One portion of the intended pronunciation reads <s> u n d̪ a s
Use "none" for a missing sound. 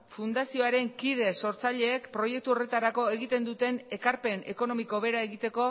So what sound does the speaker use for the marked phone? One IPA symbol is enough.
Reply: f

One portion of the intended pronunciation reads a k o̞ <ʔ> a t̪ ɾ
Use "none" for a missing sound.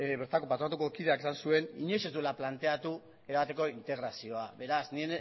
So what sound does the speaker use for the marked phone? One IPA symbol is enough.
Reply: p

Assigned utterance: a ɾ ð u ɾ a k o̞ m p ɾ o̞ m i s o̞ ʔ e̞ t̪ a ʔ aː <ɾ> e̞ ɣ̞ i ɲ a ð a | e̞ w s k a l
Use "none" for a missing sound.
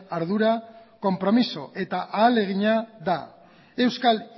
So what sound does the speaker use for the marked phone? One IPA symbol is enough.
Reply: l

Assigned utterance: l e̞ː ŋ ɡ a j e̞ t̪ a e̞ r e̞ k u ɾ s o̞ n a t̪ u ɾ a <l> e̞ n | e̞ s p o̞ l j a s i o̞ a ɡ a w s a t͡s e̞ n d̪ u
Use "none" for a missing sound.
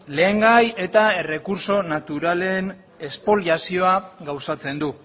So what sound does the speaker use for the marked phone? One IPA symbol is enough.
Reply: l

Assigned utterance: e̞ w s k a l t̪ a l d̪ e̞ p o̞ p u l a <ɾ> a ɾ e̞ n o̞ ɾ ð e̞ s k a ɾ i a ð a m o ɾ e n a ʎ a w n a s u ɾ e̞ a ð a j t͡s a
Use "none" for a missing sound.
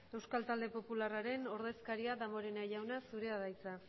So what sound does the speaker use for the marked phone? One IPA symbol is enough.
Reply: r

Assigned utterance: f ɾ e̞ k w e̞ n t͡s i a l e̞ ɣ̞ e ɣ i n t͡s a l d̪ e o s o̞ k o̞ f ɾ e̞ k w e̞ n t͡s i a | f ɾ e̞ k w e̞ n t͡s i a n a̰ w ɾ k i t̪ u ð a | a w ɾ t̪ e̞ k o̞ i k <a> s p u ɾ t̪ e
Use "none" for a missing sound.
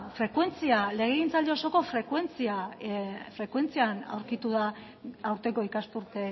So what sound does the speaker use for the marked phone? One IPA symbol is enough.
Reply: a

